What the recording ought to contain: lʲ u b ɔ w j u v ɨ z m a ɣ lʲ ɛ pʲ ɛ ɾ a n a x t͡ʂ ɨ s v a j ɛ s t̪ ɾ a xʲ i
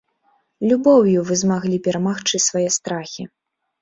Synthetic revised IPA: lʲ u b ɔ w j u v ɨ z m a ɣ lʲ i pʲ ɛ ɾ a m a x t͡ʂ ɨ s v a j ɛ s t̪ ɾ a xʲ i